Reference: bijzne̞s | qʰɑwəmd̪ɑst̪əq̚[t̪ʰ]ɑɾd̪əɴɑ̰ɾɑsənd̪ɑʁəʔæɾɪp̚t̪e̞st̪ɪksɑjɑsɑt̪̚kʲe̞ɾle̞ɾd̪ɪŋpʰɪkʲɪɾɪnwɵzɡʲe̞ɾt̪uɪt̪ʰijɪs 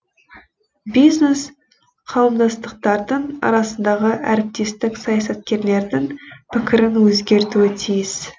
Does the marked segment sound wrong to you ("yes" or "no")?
yes